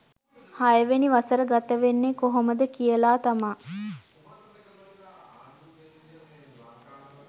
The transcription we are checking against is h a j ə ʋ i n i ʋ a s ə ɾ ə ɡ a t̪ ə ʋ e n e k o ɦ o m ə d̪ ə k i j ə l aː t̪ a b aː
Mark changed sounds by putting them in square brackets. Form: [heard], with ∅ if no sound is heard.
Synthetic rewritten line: h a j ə ʋ [e] n i ʋ a s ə ɾ ə ɡ a t̪ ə ʋ e [nː] e k o ɦ o m ə d̪ ə k i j ə l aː t̪ a [m] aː